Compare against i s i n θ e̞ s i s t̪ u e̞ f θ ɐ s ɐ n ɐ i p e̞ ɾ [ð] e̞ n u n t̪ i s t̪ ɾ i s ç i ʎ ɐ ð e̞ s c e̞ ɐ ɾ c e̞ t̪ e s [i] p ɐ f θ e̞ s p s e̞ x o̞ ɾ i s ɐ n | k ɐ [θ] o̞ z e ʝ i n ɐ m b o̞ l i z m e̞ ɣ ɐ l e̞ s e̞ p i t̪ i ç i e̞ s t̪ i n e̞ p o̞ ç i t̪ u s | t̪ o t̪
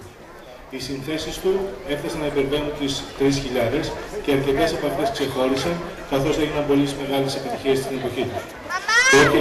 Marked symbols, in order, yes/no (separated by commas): no, no, yes